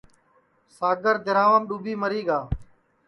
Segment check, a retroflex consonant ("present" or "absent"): absent